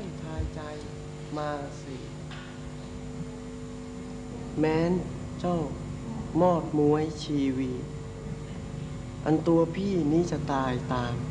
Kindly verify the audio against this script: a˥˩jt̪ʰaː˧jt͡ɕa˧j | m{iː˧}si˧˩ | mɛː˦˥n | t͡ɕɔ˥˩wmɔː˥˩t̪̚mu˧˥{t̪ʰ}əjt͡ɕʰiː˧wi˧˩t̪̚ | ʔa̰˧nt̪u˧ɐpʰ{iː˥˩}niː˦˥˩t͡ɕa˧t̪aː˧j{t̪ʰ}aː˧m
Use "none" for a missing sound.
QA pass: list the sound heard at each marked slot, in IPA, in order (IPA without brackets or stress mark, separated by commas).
aː˧, none, iː˥˩, t̪